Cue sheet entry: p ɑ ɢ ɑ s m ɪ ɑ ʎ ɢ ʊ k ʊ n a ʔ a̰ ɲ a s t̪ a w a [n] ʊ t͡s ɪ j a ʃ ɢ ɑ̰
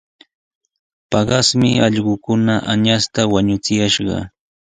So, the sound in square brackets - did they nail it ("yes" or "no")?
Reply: no